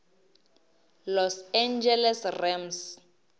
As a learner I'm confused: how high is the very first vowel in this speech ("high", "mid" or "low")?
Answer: mid